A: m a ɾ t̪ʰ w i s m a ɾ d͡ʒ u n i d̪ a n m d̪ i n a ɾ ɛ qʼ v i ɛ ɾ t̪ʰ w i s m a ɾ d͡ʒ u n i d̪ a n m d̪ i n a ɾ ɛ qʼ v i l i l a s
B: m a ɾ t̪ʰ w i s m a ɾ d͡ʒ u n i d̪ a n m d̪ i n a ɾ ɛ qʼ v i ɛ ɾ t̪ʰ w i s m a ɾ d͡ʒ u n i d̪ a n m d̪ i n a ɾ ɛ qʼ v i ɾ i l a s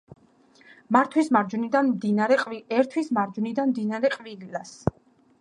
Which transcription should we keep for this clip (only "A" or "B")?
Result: A